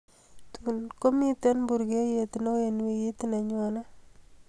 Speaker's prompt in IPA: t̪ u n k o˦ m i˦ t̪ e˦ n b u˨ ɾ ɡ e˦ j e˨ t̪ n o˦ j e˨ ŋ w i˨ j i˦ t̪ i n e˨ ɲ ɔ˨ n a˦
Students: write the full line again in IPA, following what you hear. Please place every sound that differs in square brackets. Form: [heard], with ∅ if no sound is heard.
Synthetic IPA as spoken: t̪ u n k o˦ m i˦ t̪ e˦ n b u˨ ɾ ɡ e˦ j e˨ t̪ n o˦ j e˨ [n] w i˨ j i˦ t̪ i n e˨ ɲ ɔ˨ n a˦

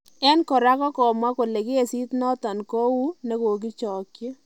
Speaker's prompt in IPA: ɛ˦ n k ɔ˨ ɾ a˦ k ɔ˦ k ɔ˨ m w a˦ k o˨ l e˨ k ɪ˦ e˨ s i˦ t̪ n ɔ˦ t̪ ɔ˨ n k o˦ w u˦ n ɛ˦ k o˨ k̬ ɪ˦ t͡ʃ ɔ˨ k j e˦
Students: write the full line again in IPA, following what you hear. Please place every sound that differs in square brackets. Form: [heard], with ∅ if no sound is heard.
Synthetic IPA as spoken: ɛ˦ n k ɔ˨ ɾ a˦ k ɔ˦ k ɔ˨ m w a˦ k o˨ l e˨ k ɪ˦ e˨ s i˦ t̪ n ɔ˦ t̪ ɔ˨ n k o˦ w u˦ n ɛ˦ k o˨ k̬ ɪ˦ t͡ʃ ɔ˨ k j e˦

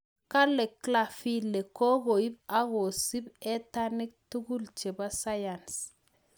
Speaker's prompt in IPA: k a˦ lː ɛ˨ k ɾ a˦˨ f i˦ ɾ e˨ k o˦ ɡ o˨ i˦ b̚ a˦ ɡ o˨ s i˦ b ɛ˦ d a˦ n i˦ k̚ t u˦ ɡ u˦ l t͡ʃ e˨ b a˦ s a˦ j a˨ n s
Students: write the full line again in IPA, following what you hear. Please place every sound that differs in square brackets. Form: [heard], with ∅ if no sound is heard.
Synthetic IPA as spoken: k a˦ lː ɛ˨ k [l] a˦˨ f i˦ [l] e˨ k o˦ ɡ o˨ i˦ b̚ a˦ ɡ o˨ s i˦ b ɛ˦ [t] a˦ n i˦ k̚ t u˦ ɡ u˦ l t͡ʃ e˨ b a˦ s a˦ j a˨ n s

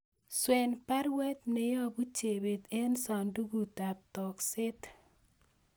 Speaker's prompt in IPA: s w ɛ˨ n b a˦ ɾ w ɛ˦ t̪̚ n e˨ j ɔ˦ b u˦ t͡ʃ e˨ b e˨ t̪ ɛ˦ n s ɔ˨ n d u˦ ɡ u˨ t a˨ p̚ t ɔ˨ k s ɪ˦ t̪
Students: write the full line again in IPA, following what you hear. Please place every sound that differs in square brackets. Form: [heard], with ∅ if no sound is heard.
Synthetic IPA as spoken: s w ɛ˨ n [p] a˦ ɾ w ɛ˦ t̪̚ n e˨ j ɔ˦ b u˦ t͡ʃ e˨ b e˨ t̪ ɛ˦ n s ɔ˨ n d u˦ ɡ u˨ t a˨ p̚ t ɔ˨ k s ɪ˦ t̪

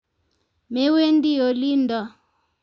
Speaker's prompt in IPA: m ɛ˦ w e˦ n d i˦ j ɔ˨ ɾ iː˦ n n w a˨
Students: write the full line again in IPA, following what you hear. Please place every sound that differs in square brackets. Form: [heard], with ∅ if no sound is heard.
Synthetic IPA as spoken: m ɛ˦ w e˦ n d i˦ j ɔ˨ [l] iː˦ n [d] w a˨

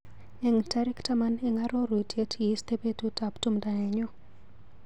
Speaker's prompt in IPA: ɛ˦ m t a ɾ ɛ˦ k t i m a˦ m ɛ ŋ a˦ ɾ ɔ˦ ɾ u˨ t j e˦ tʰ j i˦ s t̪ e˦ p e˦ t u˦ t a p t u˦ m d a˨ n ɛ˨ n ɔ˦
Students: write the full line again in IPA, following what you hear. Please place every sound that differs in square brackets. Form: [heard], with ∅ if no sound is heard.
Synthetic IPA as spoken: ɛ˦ [ŋ] t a ɾ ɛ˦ k t [a] m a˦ [n] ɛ ŋ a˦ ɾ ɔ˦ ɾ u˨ t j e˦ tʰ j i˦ s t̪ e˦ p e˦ t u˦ t a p t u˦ m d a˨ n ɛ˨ [ɲ] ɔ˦

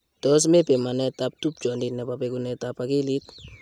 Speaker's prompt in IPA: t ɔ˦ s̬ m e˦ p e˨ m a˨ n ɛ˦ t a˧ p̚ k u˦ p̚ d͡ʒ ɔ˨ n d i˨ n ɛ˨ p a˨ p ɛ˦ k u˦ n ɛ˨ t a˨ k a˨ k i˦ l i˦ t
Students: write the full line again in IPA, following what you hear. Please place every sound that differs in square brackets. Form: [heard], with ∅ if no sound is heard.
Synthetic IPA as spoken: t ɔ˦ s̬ m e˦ p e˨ m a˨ n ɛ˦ t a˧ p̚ [t] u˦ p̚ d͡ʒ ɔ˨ n d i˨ n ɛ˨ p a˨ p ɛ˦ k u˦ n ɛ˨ t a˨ [p] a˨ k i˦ l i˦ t

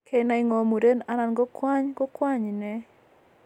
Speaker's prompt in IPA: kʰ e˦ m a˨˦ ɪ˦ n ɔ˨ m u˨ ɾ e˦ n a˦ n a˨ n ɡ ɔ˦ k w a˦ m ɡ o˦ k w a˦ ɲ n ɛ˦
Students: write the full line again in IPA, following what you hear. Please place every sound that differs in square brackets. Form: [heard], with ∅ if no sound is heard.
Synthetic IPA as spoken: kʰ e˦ [n] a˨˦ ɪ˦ [ŋ] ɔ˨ m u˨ ɾ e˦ n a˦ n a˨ n ɡ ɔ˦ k w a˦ [ɲ] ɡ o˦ k w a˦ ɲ n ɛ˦

